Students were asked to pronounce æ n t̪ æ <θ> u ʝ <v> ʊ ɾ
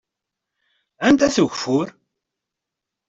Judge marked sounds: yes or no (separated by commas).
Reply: yes, no